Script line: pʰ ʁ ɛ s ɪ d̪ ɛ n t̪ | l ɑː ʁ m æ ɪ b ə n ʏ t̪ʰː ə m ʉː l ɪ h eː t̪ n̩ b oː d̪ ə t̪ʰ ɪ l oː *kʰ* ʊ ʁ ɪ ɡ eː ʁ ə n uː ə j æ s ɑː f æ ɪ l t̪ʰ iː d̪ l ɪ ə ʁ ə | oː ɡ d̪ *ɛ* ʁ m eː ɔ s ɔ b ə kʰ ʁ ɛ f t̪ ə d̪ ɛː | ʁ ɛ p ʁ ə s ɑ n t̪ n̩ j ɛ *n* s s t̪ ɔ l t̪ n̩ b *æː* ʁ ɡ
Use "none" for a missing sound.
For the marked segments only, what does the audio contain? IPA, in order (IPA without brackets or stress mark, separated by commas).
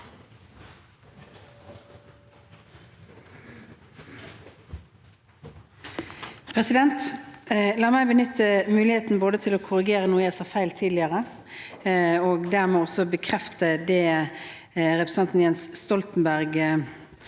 kʰ, æ, n, æ